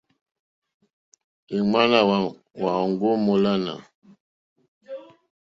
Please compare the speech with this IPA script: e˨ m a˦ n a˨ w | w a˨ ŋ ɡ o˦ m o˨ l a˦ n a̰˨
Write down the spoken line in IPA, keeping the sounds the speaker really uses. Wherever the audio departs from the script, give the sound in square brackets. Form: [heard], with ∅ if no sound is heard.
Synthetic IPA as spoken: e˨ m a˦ n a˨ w | w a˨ ŋ ɡ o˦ m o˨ l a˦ n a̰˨

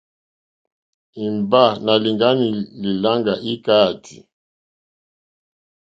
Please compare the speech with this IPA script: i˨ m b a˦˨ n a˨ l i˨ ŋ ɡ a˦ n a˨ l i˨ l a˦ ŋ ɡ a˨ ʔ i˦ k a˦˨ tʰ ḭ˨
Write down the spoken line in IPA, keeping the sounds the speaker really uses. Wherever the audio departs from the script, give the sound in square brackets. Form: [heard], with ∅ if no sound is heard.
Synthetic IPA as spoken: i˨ m b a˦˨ n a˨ l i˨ ŋ ɡ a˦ n [i˨] l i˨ l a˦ ŋ ɡ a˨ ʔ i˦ k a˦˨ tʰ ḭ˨

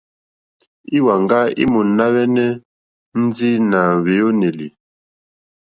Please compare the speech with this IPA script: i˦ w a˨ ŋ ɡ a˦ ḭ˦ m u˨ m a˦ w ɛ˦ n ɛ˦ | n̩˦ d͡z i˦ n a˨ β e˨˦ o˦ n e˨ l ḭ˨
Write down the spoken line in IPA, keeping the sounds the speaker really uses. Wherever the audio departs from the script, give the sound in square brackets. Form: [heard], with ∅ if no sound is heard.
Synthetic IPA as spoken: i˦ w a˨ ŋ ɡ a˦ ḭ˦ m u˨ [n] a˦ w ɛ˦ n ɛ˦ | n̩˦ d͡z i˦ n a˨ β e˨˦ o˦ n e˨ l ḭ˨

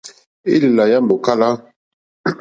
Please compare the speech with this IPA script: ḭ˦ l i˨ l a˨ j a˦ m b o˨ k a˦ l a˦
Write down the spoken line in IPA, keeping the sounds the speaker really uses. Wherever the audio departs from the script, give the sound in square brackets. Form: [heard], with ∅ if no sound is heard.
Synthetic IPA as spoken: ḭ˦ l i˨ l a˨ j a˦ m b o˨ k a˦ l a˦

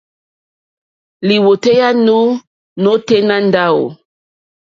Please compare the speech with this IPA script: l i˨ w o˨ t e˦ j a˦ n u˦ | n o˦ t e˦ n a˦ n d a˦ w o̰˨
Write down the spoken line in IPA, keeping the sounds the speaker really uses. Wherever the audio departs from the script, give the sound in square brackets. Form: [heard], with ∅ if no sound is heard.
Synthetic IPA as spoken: l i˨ w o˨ t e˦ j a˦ n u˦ | n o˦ t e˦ n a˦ n d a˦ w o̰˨

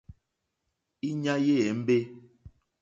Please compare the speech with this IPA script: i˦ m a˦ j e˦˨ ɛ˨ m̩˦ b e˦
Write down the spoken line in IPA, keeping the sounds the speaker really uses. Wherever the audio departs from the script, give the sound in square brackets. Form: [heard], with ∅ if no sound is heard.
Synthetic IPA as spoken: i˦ [ɲ] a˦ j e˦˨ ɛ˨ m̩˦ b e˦

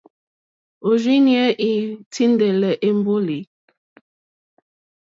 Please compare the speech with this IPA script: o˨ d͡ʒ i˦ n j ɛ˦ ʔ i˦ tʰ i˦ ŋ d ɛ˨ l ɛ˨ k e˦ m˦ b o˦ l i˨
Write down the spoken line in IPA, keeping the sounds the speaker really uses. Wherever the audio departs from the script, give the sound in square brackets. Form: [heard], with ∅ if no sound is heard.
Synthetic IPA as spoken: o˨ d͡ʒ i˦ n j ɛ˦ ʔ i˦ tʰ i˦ [n] d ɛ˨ l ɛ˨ [ʔ] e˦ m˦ b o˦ l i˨

